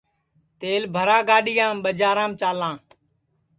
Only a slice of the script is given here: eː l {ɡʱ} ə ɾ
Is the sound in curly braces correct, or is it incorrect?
incorrect